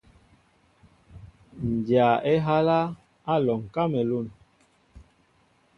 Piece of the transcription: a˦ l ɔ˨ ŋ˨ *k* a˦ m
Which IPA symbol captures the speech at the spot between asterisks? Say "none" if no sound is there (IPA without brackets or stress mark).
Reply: k